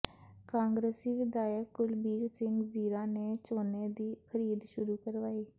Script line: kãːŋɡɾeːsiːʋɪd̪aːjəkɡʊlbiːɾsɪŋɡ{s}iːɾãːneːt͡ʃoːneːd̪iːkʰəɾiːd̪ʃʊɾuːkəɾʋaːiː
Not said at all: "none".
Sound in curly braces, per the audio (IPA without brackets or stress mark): z